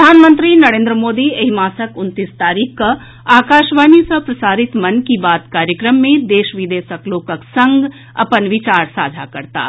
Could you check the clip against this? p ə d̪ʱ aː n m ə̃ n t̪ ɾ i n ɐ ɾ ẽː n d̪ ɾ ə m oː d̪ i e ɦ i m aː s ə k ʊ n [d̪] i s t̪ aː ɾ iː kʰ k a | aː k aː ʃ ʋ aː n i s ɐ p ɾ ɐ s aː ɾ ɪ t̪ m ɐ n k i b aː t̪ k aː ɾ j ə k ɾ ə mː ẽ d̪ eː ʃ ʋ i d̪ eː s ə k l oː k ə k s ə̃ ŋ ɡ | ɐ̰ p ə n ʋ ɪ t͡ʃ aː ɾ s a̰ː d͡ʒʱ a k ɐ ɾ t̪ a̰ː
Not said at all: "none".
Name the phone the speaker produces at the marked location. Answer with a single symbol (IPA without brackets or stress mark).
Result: t̪